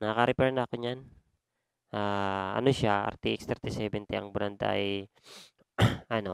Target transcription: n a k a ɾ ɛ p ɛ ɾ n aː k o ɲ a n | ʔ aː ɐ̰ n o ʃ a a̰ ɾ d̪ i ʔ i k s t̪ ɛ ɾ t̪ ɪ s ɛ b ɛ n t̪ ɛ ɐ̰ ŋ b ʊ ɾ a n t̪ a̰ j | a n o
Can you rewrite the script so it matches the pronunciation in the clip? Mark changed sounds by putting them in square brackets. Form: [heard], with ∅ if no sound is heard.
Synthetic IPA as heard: n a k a ɾ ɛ p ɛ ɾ n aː k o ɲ a n | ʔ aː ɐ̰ n o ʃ a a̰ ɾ [t̪] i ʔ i k s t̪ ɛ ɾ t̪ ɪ s ɛ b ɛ n t̪ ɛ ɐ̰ ŋ b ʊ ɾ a n [d̪] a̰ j | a n o